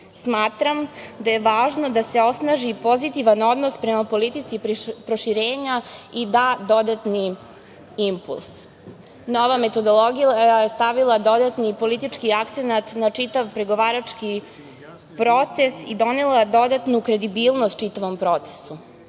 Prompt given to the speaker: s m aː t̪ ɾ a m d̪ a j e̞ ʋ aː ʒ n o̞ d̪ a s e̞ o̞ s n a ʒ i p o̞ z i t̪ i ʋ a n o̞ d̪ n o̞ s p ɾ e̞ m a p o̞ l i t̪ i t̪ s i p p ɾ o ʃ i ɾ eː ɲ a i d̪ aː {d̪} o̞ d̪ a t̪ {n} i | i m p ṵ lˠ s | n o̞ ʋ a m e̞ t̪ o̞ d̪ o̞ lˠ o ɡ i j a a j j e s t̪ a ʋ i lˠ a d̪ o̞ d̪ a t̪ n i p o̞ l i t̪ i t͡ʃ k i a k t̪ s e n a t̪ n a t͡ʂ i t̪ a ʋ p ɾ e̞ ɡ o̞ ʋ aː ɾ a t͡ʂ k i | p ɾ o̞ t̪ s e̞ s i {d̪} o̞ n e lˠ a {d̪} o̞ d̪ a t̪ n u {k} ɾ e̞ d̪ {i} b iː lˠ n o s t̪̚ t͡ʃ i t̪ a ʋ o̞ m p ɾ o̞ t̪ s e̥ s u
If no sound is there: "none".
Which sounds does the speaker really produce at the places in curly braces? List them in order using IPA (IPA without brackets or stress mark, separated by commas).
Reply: d̪, n, d̪, d̪, k, i